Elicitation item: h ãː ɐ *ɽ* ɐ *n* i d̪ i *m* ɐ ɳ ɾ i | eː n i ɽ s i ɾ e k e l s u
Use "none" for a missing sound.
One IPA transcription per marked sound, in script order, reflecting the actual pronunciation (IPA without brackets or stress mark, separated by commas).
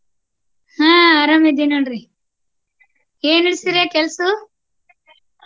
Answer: ɾ, m, n